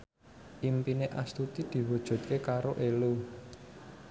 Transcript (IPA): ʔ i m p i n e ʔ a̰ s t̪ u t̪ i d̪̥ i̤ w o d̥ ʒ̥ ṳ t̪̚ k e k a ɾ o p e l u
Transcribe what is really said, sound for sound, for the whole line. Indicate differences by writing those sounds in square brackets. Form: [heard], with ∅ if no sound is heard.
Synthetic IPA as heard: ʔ i m p i n e ʔ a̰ s t̪ u t̪ i d̪̥ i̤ w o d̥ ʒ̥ ṳ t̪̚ k e k a ɾ o [ʔ] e l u